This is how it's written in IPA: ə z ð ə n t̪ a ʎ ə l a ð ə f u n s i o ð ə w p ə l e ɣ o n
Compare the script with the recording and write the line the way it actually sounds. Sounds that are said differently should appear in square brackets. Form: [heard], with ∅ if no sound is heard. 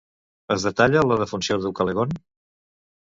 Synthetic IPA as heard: ə z ð ə [∅] t̪ a ʎ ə l [ə] ð ə f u n s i o ð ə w [k] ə l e ɣ o n